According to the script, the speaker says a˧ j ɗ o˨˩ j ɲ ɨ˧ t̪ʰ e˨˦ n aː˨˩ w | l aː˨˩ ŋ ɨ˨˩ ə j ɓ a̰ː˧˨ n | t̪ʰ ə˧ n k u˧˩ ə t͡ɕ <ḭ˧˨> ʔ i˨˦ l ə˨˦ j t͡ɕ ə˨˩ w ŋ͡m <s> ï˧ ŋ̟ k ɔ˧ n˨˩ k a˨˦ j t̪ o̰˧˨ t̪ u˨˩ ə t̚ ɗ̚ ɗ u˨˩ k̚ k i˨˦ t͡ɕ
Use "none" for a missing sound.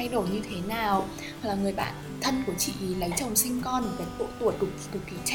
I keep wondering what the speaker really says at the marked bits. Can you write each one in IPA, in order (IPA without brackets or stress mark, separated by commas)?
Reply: ḭ˧˨, s